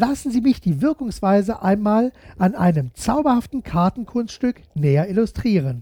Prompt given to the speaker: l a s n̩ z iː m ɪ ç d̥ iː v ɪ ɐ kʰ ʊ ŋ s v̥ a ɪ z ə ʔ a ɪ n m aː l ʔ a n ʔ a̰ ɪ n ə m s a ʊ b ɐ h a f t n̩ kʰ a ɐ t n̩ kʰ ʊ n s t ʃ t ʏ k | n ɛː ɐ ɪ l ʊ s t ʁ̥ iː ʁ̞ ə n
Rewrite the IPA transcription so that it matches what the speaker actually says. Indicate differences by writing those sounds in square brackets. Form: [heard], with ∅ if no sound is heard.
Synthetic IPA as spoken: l a s n̩ z iː m ɪ ç d̥ iː v ɪ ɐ [k] ʊ ŋ s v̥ a ɪ z ə ʔ a ɪ n m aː l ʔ a n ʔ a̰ ɪ n ə m [t͡s] a ʊ b ɐ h a f t n̩ kʰ a ɐ t n̩ kʰ ʊ n s t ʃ t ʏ k | n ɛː ɐ ɪ l ʊ s t ʁ̥ iː ʁ̞ ə n